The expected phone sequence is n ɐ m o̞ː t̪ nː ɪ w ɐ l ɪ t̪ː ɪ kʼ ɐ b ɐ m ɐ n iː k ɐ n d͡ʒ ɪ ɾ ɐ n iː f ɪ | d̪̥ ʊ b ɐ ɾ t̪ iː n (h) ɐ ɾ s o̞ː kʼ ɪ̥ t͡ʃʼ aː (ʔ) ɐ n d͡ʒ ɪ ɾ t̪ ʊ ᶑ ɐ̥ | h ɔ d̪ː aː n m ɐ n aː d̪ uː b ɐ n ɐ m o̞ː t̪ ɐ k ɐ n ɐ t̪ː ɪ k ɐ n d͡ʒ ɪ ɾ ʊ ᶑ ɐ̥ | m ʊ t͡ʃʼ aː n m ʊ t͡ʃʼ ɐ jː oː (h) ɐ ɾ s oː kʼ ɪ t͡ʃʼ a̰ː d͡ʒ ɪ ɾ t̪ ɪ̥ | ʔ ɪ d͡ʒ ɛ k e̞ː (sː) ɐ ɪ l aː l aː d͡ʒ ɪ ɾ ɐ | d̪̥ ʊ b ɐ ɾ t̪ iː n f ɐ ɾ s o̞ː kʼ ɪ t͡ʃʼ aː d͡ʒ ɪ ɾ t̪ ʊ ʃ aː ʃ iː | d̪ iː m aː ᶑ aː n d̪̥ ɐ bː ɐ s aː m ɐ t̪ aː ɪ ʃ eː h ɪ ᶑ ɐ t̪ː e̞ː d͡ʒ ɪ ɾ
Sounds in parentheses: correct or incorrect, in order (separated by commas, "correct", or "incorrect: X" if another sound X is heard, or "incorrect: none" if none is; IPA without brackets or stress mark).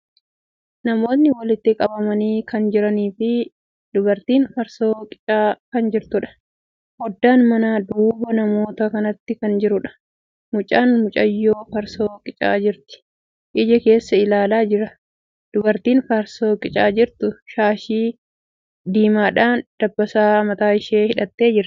incorrect: f, incorrect: k, incorrect: f, correct